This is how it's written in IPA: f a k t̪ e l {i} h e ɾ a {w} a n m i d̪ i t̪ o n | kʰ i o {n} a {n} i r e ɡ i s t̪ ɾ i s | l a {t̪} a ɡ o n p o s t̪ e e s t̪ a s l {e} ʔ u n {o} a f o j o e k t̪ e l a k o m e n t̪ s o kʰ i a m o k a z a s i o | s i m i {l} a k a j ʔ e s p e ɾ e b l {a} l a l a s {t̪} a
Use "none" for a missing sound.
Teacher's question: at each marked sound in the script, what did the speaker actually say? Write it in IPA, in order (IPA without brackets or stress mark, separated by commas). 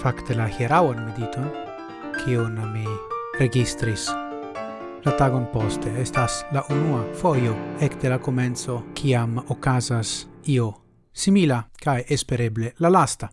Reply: a, w, n, m, t̪, a, u, l, e, t̪